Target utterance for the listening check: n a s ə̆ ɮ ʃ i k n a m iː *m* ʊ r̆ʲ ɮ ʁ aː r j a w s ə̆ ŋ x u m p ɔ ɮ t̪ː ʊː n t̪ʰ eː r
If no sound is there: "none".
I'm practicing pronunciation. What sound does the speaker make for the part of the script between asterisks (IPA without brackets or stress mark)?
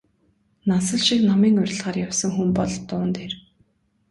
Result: ŋ